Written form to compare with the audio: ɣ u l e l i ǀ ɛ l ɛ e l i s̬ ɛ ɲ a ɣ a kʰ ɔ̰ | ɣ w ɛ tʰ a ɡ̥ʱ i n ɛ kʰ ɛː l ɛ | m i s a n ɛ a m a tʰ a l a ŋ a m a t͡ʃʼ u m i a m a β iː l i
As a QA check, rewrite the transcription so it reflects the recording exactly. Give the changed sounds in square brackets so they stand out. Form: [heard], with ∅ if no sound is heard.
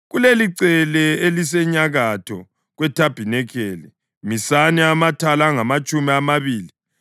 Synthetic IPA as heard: ɣ u l e l i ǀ ɛ l ɛ e l i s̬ ɛ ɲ a ɣ a [tʰ] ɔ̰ | ɣ w ɛ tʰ a [b̥ʱ] i n ɛ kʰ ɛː l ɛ | m i s a n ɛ a m a tʰ a l a ŋ a m a t͡ʃʼ u m i a m a β iː l i